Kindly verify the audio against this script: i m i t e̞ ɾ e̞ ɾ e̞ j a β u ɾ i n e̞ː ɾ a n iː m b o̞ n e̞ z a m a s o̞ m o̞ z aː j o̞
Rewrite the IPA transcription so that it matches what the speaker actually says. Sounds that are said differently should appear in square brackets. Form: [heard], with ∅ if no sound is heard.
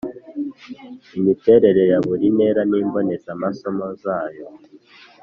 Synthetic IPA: i m i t e̞ ɾ e̞ ɾ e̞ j a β u ɾ i n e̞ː ɾ a n iː m b o̞ n e̞ z a m a s o̞ m o̞ z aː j o̞